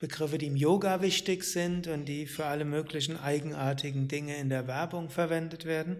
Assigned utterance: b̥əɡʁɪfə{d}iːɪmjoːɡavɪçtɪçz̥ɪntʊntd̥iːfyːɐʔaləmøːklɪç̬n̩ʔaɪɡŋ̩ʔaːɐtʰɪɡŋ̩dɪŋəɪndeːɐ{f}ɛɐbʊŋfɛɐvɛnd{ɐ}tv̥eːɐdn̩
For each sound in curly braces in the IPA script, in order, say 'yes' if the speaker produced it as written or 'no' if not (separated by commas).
yes, no, no